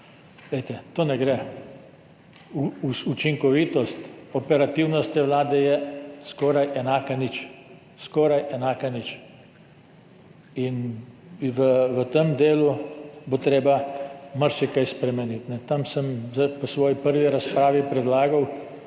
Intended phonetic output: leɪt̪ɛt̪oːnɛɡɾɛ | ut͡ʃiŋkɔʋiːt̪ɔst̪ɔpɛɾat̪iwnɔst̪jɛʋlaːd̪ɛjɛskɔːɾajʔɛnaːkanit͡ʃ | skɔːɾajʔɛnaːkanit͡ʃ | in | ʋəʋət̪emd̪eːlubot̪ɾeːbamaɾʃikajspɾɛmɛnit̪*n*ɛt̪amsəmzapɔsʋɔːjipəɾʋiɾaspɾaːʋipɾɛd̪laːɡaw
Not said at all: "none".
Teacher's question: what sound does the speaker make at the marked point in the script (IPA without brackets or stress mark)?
n